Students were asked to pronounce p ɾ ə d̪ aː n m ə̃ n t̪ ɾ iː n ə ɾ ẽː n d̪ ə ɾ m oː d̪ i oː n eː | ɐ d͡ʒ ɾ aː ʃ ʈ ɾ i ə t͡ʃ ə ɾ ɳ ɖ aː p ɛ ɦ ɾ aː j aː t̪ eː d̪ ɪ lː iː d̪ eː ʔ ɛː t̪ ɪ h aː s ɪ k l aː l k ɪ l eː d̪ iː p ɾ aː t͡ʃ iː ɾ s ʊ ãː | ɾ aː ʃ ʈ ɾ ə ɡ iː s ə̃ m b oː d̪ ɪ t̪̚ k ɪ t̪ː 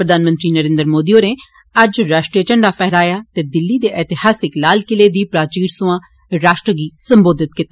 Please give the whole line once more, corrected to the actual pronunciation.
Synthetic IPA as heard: p ɾ ə d̪ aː n m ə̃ n t̪ ɾ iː n ə ɾ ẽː n d̪ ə ɾ m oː d̪ i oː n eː | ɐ d͡ʒ ɾ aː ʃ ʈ ɾ i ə t͡ʃ ə ɳ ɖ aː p ɛ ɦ ɾ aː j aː t̪ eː d̪ ɪ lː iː d̪ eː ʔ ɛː t̪ ɪ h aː s ɪ k l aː l k ɪ l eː d̪ iː p ɾ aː t͡ʃ iː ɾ s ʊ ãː | ɾ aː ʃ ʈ ɾ ə ɡ iː s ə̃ m b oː d̪ ɪ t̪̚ k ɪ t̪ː